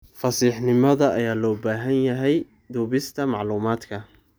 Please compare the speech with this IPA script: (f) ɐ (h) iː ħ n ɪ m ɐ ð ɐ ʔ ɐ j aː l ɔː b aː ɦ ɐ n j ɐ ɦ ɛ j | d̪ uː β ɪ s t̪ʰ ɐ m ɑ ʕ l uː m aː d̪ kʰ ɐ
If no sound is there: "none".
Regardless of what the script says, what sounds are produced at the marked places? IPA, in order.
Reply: f, s

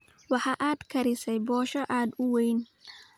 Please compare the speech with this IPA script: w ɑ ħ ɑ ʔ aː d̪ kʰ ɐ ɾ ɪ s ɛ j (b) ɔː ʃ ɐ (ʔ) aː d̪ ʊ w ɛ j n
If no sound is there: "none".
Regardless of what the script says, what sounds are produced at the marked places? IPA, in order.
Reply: b, ʔ

